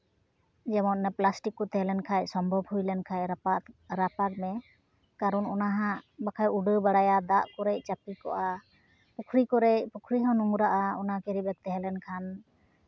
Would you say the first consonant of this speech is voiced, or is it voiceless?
voiced